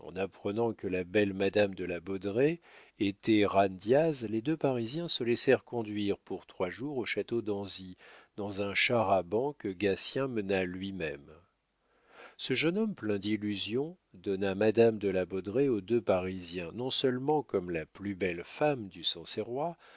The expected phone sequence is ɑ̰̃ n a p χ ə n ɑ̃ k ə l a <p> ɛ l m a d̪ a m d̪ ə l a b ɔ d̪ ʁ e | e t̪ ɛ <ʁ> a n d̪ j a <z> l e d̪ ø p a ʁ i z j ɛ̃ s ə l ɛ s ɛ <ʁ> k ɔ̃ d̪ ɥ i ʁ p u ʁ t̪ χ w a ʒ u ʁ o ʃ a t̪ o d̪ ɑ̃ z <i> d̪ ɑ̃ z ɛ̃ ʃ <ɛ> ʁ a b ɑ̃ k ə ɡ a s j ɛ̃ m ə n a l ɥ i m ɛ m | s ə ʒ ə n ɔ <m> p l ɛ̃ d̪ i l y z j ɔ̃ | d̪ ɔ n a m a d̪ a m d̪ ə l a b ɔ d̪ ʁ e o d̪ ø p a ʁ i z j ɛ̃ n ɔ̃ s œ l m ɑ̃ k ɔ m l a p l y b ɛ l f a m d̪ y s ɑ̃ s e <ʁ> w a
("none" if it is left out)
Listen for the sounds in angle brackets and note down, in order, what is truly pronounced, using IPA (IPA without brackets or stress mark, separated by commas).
b, ʁ, z, ʁ, i, a, m, ʁ